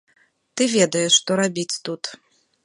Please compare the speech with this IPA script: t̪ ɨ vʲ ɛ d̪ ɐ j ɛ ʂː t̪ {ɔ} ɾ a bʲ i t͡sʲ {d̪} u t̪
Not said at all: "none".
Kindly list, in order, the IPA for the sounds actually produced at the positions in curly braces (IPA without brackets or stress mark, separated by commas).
ɔ, t̪